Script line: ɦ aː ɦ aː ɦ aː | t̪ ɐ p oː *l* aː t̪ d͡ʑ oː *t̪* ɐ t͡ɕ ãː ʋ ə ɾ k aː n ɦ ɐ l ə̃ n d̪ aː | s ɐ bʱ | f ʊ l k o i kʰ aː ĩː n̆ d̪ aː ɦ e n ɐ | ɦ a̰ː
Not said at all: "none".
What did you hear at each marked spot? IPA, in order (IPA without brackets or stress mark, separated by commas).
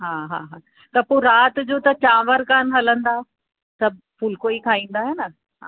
ɾ, t̪